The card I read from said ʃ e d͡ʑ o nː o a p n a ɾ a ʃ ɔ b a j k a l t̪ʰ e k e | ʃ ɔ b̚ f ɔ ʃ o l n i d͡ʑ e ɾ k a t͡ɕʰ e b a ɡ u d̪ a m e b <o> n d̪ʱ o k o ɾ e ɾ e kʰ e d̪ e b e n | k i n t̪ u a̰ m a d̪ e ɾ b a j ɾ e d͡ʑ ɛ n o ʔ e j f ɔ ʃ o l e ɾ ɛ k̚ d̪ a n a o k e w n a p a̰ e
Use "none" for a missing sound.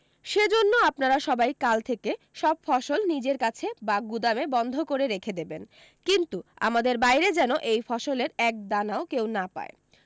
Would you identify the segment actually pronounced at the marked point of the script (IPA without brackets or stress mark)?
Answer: ɔ